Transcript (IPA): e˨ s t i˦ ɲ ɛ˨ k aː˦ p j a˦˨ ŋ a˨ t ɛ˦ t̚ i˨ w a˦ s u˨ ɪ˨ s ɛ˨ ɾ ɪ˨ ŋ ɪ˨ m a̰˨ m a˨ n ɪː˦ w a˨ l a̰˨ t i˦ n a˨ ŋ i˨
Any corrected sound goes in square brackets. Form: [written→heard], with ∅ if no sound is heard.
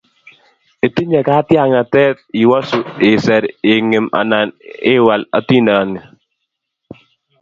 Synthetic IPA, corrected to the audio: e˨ [s→∅] t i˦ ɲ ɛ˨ k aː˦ [p→t] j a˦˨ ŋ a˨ t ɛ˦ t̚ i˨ w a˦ s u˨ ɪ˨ s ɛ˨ ɾ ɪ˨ ŋ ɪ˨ m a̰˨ [m→n] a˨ n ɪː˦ w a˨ l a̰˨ t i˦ n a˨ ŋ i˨